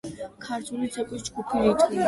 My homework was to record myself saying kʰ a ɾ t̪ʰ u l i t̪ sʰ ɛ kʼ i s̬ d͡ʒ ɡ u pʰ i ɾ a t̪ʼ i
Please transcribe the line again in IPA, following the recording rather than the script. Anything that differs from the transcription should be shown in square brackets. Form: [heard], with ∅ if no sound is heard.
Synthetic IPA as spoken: kʰ a ɾ t̪ʰ u l i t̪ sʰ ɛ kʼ i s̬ d͡ʒ ɡ u pʰ i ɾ [i] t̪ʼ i

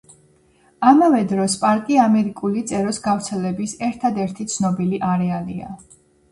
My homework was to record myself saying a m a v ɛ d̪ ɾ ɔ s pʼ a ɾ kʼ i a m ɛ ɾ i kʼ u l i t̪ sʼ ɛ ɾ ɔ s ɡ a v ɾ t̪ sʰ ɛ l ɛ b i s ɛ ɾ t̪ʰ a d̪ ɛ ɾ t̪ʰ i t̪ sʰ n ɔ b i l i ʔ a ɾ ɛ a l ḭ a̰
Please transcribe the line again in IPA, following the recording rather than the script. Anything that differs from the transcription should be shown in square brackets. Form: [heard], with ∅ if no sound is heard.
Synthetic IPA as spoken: a m a v ɛ d̪ ɾ ɔ s pʼ a ɾ kʼ i a m ɛ ɾ i kʼ u l i t̪ sʼ ɛ ɾ ɔ s ɡ a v ɾ t̪ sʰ ɛ l ɛ b i s ɛ ɾ t̪ʰ a d̪ ɛ ɾ t̪ʰ i t̪ sʰ n ɔ b i l i ʔ a ɾ ɛ a l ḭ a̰

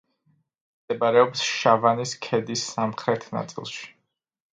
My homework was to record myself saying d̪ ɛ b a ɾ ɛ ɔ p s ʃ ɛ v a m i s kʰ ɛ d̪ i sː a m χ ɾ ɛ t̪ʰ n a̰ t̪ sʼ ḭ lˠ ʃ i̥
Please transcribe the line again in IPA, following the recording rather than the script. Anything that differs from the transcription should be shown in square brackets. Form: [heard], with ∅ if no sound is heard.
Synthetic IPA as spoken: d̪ ɛ b a ɾ ɛ ɔ p s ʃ [a] v a [n] i s kʰ ɛ d̪ i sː a m χ ɾ ɛ t̪ʰ n a̰ t̪ sʼ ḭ lˠ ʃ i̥

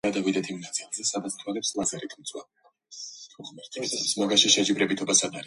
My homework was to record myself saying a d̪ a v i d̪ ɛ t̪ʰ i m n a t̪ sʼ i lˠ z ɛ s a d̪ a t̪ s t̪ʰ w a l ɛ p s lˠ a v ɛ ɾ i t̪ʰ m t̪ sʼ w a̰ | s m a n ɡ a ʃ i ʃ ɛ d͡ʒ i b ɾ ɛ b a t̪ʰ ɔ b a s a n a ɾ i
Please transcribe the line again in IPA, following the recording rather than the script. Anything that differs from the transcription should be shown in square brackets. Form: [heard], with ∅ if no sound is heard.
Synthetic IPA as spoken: a d̪ a v i d̪ ɛ t̪ʰ i m n a t̪ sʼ i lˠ z ɛ s a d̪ a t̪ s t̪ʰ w a l ɛ p s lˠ a [z] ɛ ɾ i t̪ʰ m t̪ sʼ w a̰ | s m a [∅] ɡ a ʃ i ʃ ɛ d͡ʒ i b ɾ ɛ b [i] t̪ʰ ɔ b a s a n a ɾ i

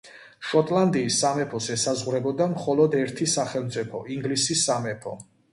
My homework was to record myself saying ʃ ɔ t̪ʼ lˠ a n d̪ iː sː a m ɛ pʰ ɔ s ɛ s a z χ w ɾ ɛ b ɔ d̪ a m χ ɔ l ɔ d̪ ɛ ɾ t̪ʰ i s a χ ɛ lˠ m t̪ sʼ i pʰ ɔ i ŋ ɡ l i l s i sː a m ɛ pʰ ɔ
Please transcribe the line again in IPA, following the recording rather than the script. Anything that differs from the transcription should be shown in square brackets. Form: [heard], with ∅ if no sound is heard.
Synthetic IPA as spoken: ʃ ɔ t̪ʼ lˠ a n d̪ iː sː a m ɛ pʰ ɔ s ɛ s a z [ʁ] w ɾ ɛ b ɔ d̪ a m χ ɔ l ɔ d̪ ɛ ɾ t̪ʰ i s a χ ɛ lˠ m t̪ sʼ i pʰ ɔ i ŋ ɡ l i [∅] s i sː a m ɛ pʰ ɔ

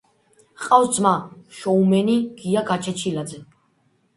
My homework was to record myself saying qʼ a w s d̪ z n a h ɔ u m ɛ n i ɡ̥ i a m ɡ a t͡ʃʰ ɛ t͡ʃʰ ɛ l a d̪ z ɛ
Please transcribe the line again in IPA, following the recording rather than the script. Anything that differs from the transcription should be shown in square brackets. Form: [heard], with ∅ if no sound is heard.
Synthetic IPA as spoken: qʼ a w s d̪ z [m] a [ʃ] ɔ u m ɛ n i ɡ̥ i a [∅] ɡ a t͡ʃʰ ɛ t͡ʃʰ [i] l a d̪ z ɛ

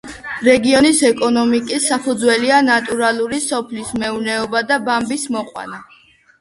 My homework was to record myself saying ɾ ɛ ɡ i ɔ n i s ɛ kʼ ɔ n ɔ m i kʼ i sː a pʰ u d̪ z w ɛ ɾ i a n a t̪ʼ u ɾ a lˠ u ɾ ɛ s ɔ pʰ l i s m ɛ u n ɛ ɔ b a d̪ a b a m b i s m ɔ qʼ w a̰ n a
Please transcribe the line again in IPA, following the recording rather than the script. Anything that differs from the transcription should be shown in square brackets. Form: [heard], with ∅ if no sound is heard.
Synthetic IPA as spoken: ɾ ɛ ɡ i ɔ n i s ɛ kʼ ɔ n ɔ m i kʼ i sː a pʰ u d̪ z w ɛ [l] i a n a t̪ʼ u ɾ a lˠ u ɾ [i] s ɔ pʰ l i s m ɛ u n ɛ ɔ b a d̪ a b a m b i s m ɔ qʼ w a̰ n a

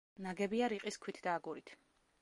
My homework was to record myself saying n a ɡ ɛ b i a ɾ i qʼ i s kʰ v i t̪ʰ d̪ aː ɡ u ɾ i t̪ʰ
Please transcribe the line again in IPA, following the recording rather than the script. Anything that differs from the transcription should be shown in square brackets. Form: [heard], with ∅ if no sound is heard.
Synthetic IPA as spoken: n a ɡ ɛ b i a ɾ i qʼ i s kʰ [w] i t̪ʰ d̪ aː ɡ u ɾ i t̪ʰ

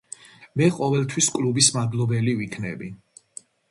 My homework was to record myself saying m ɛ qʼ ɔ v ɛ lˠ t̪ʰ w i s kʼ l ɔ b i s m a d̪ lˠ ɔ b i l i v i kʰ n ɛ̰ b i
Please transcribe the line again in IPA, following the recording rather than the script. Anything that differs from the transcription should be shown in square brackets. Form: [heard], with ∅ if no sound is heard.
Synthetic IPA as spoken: m ɛ qʼ ɔ v ɛ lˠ t̪ʰ w i s kʼ l [u] b i s m a d̪ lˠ ɔ b [ɛ] l i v i kʰ n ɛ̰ b i

